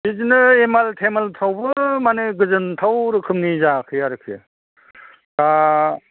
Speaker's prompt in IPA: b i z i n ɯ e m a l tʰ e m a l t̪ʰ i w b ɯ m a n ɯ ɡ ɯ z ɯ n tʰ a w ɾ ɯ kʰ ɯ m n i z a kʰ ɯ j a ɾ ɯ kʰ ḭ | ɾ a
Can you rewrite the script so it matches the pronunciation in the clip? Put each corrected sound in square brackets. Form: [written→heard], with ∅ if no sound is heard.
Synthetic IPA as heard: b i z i n ɯ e m a l tʰ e m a l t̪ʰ [i→a] w b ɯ m a n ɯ ɡ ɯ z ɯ n tʰ a w ɾ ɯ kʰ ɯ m n i z a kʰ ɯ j a ɾ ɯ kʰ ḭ | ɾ a